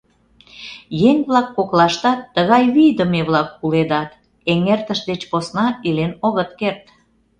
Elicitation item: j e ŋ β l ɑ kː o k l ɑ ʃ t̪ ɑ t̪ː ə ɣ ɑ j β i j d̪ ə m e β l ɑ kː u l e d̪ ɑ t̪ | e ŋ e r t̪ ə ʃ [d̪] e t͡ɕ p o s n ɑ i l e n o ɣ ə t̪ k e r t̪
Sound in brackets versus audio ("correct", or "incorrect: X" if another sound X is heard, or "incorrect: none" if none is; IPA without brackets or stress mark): correct